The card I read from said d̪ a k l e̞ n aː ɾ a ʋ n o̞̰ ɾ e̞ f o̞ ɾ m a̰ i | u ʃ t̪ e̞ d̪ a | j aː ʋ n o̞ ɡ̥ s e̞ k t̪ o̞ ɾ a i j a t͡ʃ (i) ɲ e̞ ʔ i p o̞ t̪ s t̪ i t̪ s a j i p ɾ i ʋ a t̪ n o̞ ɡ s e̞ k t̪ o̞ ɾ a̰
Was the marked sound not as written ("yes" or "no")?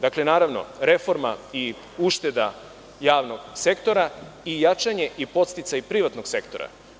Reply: yes